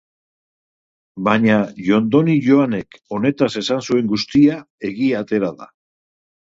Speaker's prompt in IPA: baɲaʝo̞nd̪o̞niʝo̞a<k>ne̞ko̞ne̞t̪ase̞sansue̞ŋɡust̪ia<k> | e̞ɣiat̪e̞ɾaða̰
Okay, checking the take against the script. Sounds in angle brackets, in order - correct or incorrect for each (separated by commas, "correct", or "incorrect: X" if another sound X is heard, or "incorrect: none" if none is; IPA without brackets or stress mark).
incorrect: none, incorrect: none